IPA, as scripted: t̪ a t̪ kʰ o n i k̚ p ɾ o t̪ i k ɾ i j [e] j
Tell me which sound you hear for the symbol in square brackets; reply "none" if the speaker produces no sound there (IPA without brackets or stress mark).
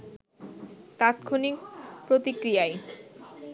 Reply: a